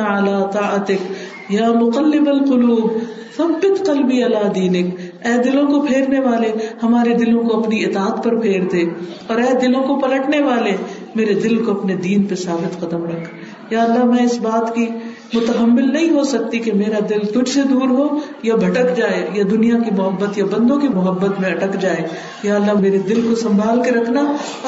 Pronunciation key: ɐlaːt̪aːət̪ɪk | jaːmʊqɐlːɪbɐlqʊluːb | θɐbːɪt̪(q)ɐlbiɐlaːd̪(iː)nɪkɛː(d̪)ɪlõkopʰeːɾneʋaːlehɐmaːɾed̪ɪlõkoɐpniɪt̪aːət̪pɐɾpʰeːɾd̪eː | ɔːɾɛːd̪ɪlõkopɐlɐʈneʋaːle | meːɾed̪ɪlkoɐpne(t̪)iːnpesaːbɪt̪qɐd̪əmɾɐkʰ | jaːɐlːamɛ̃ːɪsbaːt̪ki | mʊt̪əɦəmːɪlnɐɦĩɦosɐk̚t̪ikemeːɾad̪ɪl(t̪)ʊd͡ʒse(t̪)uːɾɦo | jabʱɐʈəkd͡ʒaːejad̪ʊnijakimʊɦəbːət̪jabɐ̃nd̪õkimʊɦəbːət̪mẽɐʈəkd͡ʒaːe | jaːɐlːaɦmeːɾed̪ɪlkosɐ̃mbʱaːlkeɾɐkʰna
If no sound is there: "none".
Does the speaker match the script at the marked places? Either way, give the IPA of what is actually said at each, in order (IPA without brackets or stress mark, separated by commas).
q, iː, d̪, d̪, t̪, d̪